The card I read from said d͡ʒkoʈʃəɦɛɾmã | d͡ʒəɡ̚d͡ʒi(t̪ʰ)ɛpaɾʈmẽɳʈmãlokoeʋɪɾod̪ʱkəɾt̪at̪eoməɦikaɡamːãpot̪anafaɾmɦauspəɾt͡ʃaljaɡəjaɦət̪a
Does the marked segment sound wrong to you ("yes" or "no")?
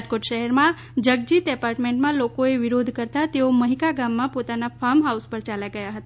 yes